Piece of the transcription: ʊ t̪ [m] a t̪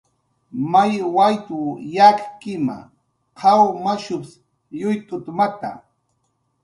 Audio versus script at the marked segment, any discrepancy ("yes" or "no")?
no